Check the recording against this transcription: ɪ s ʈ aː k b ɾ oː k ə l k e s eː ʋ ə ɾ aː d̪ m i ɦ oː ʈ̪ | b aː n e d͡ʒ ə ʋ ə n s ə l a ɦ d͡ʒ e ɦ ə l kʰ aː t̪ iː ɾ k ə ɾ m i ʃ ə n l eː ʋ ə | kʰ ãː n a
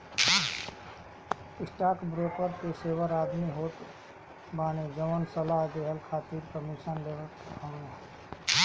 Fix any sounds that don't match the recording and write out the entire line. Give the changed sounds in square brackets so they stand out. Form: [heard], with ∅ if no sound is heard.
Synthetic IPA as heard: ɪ s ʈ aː k b ɾ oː k ə [ɾ] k e s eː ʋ ə ɾ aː d̪ m i ɦ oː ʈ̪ | b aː n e d͡ʒ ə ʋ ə n s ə l a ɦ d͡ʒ e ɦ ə l kʰ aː t̪ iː ɾ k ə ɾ m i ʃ ə n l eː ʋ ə | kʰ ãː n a

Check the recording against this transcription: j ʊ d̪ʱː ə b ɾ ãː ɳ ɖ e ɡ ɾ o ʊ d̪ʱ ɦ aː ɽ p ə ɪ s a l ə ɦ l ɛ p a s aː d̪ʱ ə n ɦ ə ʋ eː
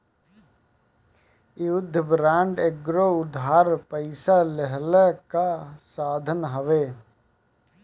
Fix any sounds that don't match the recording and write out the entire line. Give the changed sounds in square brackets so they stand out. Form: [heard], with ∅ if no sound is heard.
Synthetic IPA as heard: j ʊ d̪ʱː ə b ɾ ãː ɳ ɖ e ɡ ɾ o ʊ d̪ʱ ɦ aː [ɾ] p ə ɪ s a l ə ɦ l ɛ [k] a s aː d̪ʱ ə n ɦ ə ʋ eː

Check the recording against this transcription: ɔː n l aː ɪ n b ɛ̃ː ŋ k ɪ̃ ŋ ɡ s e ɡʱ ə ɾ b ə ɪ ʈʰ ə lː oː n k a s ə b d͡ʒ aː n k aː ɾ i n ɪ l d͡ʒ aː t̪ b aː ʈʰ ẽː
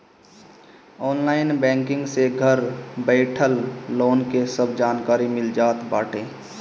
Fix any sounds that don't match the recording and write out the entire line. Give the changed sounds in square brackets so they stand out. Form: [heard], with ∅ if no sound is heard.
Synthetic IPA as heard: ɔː n l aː ɪ n b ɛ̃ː ŋ k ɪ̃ ŋ ɡ s e ɡʱ ə ɾ b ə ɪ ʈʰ ə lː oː n k [e] s ə b d͡ʒ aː n k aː ɾ i [m] ɪ l d͡ʒ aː t̪ b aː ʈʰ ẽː

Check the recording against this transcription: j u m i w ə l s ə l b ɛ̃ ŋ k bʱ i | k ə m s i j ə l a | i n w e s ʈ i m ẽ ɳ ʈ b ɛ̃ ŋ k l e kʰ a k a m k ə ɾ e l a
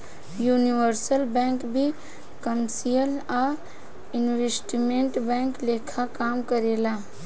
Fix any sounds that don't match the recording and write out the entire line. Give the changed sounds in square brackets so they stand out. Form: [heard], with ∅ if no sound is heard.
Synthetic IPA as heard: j u [n] i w ə [ɾ] s ə l b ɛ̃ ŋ k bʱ i | k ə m s i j ə l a | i n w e s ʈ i m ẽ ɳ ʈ b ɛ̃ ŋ k l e kʰ a k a m k ə ɾ e l a

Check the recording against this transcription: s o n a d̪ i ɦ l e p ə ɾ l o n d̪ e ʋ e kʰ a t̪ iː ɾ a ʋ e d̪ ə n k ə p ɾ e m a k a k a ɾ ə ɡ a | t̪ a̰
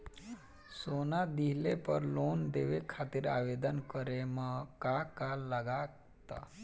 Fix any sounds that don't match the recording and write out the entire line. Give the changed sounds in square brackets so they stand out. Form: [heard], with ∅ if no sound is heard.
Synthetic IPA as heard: s o n a d̪ i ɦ l e p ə ɾ l o n d̪ e ʋ e kʰ a t̪ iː ɾ a ʋ e d̪ ə n k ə [∅] ɾ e m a k a k a [l] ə ɡ a | t̪ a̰

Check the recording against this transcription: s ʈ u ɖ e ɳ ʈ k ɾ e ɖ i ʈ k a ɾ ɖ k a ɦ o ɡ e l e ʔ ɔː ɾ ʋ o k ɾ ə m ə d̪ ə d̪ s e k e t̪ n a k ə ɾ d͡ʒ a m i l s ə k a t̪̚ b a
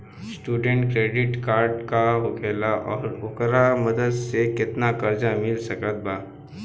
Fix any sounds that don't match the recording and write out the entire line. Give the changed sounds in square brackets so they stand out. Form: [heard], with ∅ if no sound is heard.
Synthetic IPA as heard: s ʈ u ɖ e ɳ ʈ k ɾ e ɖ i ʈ k a ɾ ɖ k a ɦ o ɡ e l [a] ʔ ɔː ɾ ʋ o k ɾ [a] m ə d̪ ə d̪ s e k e t̪ n a k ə ɾ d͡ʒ a m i l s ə k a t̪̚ b a

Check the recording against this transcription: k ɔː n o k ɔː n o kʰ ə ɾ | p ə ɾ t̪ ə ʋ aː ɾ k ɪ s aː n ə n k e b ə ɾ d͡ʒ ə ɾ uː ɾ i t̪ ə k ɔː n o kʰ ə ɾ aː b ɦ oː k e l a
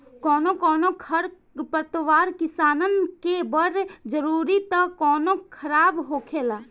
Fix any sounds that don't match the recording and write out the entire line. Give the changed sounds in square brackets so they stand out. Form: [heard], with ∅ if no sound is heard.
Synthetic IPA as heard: k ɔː n o k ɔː n o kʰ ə ɾ | p ə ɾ t̪ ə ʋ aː ɾ k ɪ s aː n ə n k e b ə ɾ d͡ʒ ə ɾ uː ɾ i t̪ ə k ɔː n o kʰ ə ɾ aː b ɦ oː [kʰ] e l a

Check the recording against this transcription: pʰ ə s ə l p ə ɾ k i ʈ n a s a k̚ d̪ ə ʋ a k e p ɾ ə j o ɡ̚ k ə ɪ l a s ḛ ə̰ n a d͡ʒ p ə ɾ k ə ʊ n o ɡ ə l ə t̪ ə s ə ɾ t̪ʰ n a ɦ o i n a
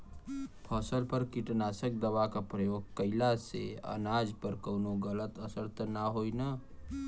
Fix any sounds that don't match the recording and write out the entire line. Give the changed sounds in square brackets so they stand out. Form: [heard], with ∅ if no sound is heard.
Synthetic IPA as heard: pʰ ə s ə l p ə ɾ k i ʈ n a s [ə] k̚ d̪ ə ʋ a k [a] p ɾ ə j o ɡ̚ k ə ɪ l a s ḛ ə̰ n a d͡ʒ p ə ɾ k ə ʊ n o ɡ ə l ə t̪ ə s ə ɾ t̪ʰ n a ɦ o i n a

